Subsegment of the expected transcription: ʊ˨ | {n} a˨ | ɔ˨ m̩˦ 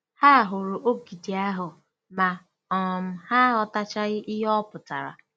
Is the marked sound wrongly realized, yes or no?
yes